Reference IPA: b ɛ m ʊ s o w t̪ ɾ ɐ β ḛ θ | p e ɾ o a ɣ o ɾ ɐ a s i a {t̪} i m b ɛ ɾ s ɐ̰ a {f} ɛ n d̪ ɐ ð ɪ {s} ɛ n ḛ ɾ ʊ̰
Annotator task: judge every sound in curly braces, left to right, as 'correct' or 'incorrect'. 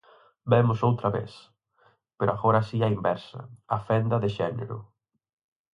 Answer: incorrect: none, correct, incorrect: ʃ

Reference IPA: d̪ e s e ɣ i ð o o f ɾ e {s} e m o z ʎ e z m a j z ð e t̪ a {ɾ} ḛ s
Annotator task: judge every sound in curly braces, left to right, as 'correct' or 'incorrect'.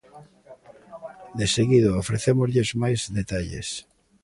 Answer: incorrect: θ, incorrect: ʎ

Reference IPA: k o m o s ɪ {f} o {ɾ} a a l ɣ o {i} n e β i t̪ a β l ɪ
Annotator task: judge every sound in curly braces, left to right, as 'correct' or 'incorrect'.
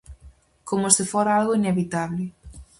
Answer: correct, correct, correct

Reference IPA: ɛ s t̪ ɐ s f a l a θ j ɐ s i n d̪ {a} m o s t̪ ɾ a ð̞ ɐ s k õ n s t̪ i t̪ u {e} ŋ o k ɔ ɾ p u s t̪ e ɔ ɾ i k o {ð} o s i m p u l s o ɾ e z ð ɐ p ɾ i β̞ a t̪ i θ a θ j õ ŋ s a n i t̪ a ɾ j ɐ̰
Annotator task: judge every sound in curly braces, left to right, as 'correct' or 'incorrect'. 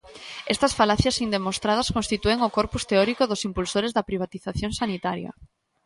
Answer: incorrect: e, correct, correct

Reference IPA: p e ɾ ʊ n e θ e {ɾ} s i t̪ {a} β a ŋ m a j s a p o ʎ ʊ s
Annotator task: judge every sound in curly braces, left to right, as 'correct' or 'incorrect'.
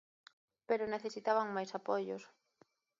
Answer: incorrect: none, correct

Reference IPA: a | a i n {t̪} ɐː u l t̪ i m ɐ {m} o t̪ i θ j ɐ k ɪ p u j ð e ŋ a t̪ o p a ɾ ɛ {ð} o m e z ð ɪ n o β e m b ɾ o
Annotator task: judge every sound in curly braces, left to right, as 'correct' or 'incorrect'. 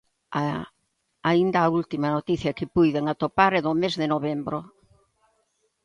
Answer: incorrect: d̪, incorrect: n, correct

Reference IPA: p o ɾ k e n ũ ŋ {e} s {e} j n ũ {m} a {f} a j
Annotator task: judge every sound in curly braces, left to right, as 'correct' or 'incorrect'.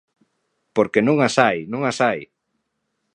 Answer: incorrect: a, incorrect: a, incorrect: ŋ, incorrect: s

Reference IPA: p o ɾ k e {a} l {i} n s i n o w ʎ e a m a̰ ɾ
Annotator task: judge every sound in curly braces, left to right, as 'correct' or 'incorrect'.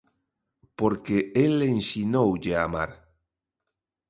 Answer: incorrect: e, incorrect: e

